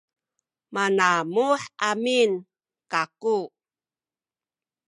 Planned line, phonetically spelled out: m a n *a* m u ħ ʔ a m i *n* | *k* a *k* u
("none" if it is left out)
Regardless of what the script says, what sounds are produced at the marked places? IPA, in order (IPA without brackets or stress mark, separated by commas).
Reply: a, n, k, k